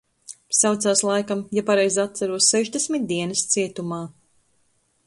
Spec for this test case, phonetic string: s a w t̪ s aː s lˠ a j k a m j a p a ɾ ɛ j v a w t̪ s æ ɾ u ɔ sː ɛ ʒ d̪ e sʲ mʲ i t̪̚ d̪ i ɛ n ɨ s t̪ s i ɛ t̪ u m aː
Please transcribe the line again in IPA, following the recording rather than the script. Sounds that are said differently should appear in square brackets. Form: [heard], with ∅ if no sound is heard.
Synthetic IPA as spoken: s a w t̪ s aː s lˠ a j k a m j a p a ɾ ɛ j [z] a [∅] t̪ s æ ɾ u ɔ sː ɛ ʒ d̪ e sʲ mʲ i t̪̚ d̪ i ɛ n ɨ s t̪ s i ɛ t̪ u m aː